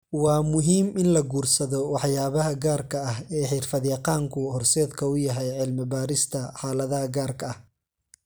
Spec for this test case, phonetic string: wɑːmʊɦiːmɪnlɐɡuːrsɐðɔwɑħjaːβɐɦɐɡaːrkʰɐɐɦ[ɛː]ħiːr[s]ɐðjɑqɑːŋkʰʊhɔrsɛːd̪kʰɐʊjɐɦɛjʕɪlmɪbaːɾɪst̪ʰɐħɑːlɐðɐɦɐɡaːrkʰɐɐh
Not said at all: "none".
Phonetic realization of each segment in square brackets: ɛː, f

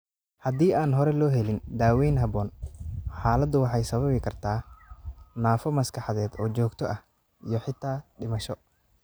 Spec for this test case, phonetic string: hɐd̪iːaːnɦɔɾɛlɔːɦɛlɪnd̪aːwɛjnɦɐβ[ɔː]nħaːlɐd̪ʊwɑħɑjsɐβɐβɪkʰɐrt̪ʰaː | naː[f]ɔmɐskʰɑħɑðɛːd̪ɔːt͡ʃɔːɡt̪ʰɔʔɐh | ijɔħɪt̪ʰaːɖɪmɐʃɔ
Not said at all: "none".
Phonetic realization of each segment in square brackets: ɔː, f

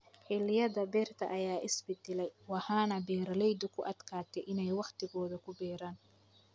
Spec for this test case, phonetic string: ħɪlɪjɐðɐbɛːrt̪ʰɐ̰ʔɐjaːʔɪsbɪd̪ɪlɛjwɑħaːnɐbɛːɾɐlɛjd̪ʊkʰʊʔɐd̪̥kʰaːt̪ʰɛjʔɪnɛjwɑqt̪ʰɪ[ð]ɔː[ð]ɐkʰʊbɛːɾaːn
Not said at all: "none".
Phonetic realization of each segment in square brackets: ɣ, ð

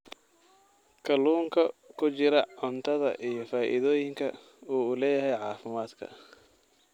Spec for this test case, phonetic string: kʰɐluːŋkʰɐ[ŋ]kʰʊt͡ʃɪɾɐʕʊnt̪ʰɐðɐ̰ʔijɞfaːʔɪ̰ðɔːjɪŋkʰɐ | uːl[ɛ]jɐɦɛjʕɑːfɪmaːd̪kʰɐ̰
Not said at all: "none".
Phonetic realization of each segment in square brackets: none, ɛː

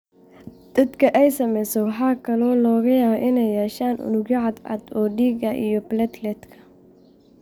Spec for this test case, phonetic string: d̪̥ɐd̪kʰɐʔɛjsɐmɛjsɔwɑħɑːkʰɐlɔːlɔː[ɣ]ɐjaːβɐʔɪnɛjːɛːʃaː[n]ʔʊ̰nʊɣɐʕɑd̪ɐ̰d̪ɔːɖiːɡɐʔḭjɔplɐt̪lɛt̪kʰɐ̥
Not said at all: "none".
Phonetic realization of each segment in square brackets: ɣ, n

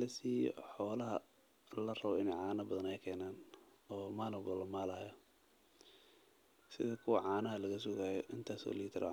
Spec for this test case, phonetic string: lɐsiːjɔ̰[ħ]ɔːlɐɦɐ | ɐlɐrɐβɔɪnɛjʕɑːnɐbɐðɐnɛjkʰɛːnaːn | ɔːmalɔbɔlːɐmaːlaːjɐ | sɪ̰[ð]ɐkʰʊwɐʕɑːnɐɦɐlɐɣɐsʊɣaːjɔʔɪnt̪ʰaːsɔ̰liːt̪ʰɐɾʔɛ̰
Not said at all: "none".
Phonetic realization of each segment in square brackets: ħ, ð

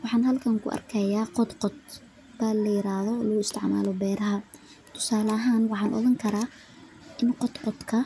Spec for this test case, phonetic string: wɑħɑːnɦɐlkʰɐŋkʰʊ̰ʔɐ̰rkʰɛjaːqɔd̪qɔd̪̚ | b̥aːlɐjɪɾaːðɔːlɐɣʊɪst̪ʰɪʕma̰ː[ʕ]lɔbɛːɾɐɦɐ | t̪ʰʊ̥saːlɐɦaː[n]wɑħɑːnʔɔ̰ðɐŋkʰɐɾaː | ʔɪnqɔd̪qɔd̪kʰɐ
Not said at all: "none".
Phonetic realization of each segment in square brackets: none, n

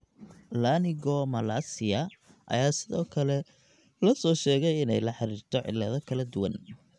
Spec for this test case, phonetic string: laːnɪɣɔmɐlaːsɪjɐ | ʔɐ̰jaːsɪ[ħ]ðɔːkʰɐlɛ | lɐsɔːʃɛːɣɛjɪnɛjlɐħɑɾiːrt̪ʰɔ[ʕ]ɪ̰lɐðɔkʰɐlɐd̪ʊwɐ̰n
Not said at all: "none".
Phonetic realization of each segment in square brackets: none, ʕ

